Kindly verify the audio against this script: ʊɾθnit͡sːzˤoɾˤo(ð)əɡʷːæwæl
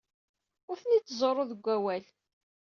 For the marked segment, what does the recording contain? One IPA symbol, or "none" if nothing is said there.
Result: ð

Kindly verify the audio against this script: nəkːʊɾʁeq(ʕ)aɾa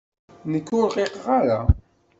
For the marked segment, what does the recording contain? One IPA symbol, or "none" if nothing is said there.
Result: ʁ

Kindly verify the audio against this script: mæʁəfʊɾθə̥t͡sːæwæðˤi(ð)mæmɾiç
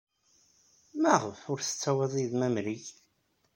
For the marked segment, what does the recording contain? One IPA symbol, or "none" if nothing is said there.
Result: ð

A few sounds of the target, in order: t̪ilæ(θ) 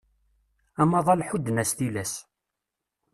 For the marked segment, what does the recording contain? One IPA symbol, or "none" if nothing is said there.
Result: s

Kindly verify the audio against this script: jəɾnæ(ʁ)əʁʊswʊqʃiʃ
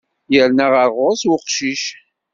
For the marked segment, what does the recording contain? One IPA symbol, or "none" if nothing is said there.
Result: ʁ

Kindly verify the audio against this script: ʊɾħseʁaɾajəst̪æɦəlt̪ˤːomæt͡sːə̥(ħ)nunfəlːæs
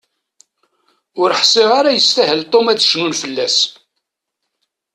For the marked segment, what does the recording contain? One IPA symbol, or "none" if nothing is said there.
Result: ʃ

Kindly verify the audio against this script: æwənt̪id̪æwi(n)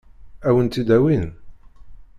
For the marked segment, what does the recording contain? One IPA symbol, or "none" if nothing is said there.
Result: n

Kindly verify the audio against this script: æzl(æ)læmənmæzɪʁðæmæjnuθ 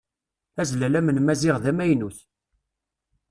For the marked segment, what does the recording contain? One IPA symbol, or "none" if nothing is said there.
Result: æ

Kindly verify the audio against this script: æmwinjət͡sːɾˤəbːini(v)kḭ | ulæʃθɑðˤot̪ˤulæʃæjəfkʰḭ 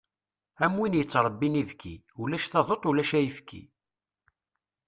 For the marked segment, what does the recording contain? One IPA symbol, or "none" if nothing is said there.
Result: v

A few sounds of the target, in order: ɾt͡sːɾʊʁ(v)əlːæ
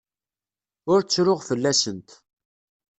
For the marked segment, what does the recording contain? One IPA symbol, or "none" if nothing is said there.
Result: f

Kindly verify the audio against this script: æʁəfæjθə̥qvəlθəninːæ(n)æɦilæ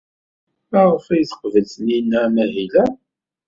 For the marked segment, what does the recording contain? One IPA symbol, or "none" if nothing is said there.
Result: m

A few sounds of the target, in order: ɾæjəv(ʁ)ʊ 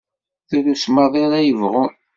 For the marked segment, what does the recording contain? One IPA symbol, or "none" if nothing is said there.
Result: ʁ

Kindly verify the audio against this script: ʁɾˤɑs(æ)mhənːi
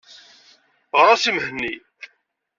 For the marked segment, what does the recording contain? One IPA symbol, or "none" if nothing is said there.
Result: i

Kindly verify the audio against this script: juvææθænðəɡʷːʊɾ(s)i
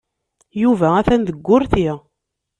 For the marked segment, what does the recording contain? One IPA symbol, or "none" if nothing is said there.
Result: θ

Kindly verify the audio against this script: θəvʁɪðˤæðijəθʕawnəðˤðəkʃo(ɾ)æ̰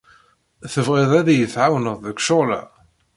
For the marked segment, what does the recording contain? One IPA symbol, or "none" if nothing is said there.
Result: l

